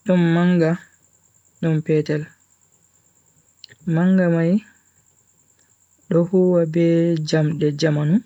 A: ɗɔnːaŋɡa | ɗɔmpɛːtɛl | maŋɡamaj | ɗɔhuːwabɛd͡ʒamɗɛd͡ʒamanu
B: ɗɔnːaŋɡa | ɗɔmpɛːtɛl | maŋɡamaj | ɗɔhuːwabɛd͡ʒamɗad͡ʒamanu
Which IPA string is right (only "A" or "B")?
A